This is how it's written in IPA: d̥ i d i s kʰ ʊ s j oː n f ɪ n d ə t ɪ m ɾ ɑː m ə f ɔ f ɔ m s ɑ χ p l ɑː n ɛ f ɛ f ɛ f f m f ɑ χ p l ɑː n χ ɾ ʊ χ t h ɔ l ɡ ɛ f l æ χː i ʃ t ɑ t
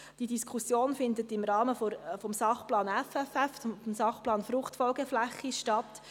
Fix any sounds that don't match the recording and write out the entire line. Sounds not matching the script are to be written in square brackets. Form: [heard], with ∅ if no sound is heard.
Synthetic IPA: d̥ i d i s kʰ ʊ s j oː n f ɪ n d ə t ɪ m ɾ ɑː m ə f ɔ f ɔ m s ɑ χ p l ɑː n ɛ f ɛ f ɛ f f m [s] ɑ χ p l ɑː n [f] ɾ ʊ χ t [f] ɔ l ɡ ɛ f l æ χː i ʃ t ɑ t